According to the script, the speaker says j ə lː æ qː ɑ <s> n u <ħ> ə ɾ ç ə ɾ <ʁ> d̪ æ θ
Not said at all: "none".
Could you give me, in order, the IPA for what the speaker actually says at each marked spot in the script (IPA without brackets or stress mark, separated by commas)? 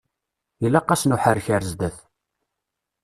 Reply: s, ħ, z